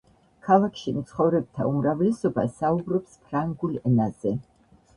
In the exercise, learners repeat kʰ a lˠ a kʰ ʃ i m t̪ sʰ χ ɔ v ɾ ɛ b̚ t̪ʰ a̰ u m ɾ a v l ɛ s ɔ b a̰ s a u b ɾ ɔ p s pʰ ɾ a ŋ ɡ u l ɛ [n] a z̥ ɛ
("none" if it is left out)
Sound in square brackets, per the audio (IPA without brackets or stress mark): n